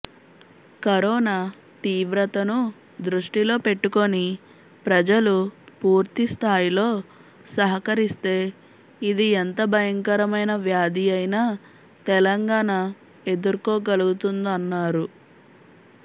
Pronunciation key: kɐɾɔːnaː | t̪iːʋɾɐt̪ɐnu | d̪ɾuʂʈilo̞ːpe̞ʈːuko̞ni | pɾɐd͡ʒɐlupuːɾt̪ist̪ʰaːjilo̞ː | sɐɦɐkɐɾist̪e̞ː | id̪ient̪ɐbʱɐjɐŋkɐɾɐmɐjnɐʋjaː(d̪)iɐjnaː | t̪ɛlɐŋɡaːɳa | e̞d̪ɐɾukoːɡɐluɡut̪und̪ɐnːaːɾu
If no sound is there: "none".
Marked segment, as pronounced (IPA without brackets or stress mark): d̪